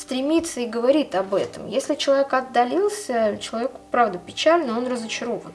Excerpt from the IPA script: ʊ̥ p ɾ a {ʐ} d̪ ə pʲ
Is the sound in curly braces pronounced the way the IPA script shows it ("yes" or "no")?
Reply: no